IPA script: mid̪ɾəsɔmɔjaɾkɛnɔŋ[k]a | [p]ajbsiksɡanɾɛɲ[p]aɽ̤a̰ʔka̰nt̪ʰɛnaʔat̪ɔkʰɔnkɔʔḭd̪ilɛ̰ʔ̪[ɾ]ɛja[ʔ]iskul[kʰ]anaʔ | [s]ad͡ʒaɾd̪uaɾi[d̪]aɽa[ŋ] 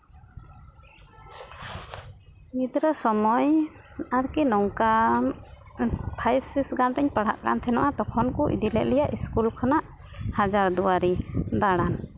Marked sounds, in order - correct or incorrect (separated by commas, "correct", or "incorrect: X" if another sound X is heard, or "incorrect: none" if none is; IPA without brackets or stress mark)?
correct, incorrect: pʰ, correct, incorrect: l, correct, correct, incorrect: h, correct, incorrect: n